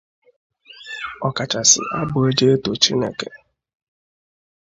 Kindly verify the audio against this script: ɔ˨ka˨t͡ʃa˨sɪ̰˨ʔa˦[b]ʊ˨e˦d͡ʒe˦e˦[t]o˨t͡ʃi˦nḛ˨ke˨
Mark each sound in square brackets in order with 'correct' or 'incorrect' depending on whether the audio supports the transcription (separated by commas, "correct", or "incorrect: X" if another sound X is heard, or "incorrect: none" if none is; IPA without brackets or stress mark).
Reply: correct, correct